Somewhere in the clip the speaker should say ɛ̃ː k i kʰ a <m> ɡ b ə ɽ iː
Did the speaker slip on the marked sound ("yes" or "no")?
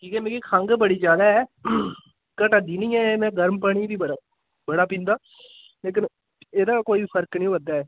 yes